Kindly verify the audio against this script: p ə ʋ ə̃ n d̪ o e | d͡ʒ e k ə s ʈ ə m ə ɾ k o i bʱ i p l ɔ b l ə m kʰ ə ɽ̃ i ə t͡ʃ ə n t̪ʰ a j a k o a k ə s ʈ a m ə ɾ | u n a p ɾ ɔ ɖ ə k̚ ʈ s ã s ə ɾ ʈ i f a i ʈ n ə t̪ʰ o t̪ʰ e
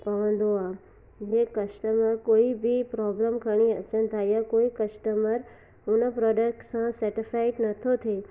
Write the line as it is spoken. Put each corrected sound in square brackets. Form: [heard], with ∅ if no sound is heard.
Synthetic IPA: p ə ʋ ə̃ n d̪ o [a] | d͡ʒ e k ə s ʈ ə m ə ɾ k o i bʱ i p [ɾ] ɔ b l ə m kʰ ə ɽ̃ i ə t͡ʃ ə n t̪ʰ a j a k o [i] k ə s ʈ [ə] m ə ɾ | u n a p ɾ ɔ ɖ ə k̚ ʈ s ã s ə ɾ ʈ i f a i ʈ n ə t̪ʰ o t̪ʰ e

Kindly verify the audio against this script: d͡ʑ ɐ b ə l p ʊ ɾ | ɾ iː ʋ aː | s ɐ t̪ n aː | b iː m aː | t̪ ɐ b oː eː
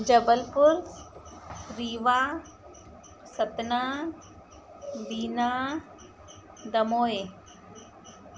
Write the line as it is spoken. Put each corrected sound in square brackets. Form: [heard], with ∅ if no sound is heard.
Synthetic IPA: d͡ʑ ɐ b ə l p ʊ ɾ | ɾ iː ʋ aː | s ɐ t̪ n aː | b iː [n] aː | [d̪] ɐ [m] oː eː

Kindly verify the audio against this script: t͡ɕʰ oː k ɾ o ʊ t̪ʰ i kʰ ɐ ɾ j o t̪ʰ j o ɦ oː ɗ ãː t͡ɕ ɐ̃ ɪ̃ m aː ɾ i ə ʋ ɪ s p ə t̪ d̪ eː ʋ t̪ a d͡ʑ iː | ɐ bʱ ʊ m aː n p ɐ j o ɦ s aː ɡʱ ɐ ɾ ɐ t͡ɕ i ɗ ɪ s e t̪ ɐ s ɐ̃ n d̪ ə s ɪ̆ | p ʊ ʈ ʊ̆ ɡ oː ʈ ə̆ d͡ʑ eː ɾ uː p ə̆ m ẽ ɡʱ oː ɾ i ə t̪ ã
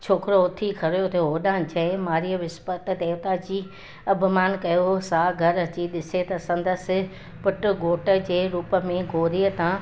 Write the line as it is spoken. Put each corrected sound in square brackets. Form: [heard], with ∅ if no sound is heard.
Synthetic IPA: t͡ɕʰ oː k ɾ o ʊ t̪ʰ i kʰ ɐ ɾ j o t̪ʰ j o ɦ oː ɗ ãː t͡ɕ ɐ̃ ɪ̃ m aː ɾ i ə ʋ ɪ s p ə t̪ d̪ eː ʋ t̪ a d͡ʑ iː | ɐ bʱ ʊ m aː n [k] ɐ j o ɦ s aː ɡʱ ɐ ɾ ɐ t͡ɕ i ɗ ɪ s e t̪ ɐ s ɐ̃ n d̪ ə s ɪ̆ | p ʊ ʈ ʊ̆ ɡ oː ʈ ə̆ d͡ʑ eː ɾ uː p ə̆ m ẽ ɡʱ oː ɾ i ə t̪ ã

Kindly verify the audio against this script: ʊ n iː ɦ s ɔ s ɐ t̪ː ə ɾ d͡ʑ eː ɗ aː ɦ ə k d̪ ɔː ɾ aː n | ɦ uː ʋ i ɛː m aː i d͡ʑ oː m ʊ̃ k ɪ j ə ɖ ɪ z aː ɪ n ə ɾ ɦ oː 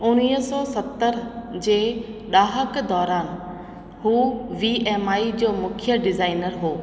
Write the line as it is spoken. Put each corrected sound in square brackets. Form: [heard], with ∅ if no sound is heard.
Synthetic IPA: ʊ n iː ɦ s ɔ s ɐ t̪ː ə ɾ d͡ʑ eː ɗ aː ɦ ə k d̪ ɔː ɾ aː n | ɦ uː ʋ i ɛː m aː i d͡ʑ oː m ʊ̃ [kʰ] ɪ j ə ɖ ɪ z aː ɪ n ə ɾ ɦ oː

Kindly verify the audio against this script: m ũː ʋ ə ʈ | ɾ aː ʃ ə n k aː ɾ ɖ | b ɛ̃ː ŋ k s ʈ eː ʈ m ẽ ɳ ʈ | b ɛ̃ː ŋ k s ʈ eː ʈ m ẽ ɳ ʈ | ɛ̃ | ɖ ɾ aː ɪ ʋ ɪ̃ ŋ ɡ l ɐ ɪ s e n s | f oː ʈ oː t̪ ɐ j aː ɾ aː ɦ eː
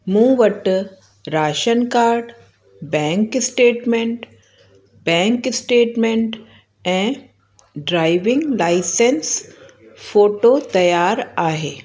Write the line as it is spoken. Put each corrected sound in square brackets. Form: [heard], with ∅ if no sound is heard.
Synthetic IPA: m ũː ʋ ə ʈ | ɾ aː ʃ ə n k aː ɾ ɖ | b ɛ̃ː ŋ k s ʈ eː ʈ m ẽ ɳ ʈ | b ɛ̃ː ŋ k s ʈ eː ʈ m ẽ ɳ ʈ | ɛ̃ | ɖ ɾ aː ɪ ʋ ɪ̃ ŋ ɡ l [a] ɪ s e n s | f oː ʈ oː t̪ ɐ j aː ɾ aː ɦ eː

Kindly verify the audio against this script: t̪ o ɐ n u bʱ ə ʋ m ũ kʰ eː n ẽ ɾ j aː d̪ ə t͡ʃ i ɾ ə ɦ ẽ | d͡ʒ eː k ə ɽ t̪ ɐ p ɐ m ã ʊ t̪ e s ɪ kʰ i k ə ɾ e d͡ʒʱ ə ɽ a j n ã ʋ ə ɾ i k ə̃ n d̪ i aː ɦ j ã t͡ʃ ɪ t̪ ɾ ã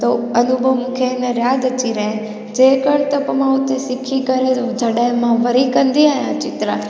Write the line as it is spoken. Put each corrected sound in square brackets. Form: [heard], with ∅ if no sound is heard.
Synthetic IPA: t̪ o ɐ n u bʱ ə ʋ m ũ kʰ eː n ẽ ɾ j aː d̪ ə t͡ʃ i ɾ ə ɦ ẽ | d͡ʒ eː k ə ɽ t̪ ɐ p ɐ m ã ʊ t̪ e s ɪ kʰ i k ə ɾ e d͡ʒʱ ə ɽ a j [m] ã ʋ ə ɾ i k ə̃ n d̪ i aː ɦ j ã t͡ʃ ɪ t̪ ɾ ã

